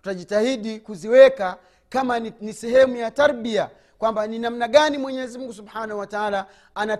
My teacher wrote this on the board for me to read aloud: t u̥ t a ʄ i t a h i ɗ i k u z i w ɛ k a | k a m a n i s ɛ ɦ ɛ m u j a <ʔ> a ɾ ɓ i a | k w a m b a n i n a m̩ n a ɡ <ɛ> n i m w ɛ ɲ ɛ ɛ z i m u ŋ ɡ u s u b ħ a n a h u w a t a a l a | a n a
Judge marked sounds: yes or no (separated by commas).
no, no